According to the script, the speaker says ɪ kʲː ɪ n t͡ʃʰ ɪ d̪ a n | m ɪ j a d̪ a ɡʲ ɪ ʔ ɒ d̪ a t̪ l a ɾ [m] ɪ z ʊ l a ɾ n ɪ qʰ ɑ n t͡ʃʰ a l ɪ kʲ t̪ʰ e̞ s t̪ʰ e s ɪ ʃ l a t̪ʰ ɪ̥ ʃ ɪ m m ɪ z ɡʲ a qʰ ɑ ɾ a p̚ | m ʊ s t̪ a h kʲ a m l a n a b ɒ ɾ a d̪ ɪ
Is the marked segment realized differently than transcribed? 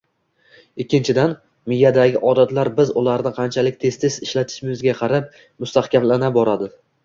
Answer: yes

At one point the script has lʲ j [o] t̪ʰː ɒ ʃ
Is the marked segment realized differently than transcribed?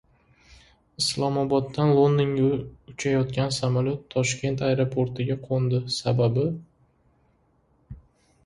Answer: no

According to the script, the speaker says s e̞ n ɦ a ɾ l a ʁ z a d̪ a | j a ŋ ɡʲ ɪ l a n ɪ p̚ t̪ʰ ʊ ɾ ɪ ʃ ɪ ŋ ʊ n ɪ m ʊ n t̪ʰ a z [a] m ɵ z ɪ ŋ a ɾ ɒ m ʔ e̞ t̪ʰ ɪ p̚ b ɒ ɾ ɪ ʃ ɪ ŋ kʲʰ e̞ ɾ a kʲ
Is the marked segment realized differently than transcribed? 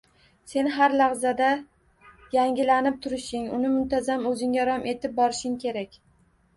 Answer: no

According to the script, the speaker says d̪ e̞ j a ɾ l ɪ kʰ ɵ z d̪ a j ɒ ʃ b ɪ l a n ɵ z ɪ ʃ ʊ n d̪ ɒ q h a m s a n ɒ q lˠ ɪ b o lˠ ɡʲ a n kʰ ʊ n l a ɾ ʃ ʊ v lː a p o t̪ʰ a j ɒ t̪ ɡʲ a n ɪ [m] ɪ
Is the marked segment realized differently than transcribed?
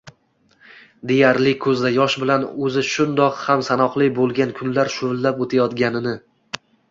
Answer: yes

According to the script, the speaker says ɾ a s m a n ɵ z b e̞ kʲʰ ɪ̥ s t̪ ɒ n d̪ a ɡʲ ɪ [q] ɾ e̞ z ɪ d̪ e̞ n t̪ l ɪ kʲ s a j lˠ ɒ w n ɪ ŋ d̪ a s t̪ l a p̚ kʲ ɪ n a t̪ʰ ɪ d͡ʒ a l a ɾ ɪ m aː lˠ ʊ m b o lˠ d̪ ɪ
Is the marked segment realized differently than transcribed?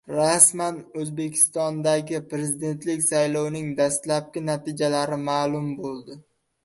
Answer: yes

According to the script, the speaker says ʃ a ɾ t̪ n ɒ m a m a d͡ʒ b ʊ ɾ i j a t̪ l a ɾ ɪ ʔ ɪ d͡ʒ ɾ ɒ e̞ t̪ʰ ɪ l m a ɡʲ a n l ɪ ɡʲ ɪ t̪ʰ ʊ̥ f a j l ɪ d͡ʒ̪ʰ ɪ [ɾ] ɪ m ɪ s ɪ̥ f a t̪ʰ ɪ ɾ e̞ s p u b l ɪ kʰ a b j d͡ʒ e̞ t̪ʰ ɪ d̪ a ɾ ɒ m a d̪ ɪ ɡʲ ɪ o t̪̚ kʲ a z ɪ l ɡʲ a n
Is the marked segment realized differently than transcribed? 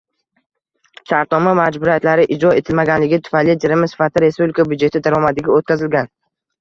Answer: no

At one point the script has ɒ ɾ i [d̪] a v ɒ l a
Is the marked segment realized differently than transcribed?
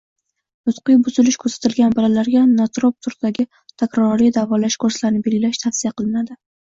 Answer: no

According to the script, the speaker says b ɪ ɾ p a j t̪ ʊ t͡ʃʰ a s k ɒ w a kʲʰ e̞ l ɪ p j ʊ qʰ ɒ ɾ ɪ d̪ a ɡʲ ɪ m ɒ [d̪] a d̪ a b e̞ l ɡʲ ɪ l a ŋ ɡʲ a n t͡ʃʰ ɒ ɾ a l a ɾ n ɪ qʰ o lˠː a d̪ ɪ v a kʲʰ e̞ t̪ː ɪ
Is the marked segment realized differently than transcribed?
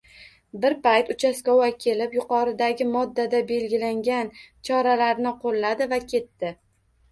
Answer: yes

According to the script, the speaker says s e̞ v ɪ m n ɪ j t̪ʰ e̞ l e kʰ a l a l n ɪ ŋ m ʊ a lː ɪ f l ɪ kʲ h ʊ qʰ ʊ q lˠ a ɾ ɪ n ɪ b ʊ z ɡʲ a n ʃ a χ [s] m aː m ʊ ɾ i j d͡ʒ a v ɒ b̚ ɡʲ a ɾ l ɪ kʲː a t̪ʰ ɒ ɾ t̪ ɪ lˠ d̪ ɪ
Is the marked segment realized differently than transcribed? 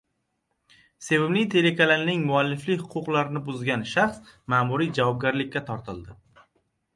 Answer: no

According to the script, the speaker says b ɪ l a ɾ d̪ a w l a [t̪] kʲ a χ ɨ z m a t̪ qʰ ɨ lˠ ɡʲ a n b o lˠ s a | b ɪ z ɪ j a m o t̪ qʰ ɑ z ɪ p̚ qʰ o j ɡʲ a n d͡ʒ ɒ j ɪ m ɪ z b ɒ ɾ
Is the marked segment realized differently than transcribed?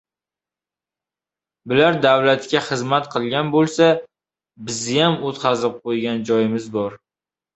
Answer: no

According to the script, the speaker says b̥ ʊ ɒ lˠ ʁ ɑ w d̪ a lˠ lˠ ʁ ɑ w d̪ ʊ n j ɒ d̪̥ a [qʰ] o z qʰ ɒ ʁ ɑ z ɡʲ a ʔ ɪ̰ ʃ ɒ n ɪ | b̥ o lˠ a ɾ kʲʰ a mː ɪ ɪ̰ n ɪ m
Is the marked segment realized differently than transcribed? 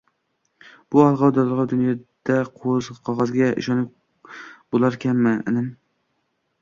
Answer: no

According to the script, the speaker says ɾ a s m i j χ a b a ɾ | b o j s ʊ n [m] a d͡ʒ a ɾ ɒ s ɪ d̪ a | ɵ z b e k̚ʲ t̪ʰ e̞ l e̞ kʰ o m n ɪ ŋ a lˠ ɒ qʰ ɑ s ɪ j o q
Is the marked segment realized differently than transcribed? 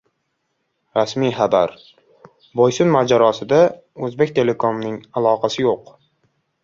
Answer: no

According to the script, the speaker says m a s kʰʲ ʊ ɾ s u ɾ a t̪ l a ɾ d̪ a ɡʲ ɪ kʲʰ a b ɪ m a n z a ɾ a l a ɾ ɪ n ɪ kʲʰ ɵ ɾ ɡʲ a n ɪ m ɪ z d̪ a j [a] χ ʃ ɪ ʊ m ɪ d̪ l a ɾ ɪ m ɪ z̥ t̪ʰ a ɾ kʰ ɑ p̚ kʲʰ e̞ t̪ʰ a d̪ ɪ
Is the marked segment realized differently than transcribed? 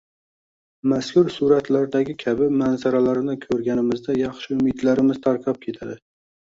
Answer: yes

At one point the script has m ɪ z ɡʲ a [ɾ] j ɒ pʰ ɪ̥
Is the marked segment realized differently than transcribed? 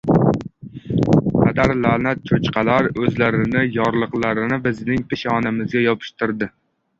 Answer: yes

